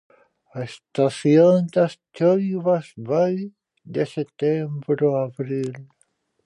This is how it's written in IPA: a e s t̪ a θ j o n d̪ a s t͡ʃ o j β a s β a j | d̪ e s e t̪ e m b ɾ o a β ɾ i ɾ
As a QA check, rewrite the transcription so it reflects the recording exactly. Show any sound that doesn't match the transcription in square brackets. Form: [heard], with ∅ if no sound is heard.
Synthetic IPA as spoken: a e s t̪ a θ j o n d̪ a s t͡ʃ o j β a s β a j | d̪ e s e t̪ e m b ɾ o a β ɾ i [l]